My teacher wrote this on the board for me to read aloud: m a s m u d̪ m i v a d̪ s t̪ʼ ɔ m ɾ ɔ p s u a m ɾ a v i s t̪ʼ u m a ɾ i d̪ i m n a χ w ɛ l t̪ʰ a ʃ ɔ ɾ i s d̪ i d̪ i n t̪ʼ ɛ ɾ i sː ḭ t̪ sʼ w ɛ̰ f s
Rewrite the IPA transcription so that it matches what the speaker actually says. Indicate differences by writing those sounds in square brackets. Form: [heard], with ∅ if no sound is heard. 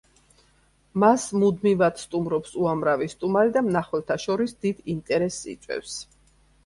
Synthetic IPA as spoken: m a s m u d̪ m i v a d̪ s t̪ʼ [u] m ɾ ɔ p s u a m ɾ a v i s t̪ʼ u m a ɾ i d̪ [a] m n a χ w ɛ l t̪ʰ a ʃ ɔ ɾ i s d̪ i d̪ i n t̪ʼ ɛ ɾ [ɛ] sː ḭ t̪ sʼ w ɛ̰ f s